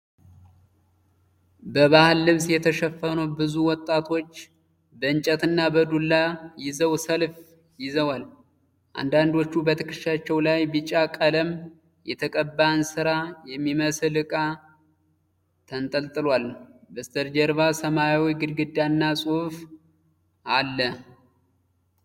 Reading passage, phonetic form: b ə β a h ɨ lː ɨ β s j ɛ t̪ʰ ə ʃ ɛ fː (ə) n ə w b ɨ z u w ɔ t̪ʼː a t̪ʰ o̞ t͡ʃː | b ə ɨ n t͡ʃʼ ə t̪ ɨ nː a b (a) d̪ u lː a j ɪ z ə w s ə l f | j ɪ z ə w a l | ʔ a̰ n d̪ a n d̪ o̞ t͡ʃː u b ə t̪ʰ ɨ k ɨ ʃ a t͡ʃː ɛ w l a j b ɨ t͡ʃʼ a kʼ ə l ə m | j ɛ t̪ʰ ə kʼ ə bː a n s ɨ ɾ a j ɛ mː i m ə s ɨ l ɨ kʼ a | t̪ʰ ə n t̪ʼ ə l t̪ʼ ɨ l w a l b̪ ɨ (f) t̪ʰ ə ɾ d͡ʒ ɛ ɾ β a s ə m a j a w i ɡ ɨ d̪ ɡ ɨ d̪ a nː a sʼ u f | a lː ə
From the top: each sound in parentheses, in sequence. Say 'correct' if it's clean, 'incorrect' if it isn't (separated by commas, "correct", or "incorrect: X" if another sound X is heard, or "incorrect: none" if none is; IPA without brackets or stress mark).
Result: correct, incorrect: ə, incorrect: s